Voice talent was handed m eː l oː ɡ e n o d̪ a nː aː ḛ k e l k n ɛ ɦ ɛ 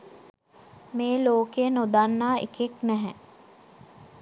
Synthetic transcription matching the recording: m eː l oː k e n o d̪ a nː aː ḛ k e k n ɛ ɦ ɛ